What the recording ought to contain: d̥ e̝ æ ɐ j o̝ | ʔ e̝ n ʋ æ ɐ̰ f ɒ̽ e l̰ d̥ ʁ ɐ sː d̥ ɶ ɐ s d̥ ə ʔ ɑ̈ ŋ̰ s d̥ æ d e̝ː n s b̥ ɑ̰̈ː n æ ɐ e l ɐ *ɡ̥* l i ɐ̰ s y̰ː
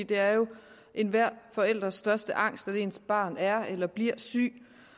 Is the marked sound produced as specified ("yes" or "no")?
no